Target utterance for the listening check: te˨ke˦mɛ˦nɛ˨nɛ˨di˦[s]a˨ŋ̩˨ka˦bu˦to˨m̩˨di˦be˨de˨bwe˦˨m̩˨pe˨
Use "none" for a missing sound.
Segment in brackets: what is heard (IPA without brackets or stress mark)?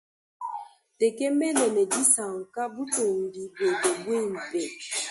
s